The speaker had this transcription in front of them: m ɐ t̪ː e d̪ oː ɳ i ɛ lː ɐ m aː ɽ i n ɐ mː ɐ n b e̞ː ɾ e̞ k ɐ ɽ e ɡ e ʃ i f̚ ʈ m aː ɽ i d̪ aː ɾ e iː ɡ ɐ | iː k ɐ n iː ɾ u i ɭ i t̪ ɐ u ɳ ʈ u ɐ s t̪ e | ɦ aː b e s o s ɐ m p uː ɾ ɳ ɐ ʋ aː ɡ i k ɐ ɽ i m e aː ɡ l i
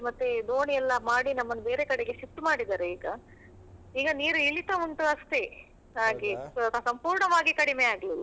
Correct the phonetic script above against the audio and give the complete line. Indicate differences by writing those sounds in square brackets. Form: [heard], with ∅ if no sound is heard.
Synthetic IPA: m ɐ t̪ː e d̪ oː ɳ i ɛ lː ɐ m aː ɽ i n ɐ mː ɐ n b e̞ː ɾ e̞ k ɐ ɽ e ɡ e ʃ i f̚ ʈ m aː ɽ i d̪ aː ɾ e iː ɡ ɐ | iː [ɡ] ɐ n iː ɾ u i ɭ i t̪ ɐ u ɳ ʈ u ɐ s t̪ e | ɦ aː [ɡ] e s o s ɐ m p uː ɾ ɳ ɐ ʋ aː ɡ i k ɐ ɽ i m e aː ɡ l i